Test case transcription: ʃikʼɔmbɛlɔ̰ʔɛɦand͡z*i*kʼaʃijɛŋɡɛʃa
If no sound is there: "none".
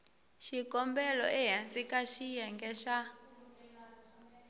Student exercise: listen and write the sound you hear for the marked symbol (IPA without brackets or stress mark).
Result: i